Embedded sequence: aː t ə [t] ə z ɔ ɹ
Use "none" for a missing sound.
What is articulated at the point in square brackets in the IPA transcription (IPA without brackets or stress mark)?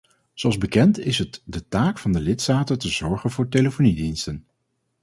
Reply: t